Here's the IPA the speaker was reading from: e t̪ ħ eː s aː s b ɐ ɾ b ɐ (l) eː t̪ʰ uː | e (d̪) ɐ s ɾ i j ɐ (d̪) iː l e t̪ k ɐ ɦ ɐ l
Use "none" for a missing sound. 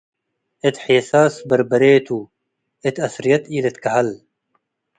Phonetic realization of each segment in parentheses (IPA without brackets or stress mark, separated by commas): ɾ, t̪, t̪